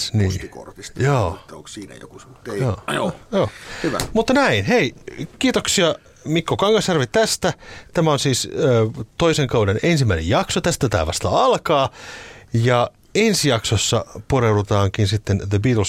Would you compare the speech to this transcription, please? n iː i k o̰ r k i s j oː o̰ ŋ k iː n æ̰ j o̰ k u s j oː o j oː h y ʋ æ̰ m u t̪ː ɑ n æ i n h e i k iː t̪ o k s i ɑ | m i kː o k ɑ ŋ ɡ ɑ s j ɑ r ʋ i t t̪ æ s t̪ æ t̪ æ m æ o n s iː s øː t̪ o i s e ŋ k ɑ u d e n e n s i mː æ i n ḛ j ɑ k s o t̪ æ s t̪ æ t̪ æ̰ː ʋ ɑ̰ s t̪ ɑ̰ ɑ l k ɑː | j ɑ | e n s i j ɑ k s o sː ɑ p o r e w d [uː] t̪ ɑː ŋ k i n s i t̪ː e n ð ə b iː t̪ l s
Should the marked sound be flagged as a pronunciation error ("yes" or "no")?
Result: yes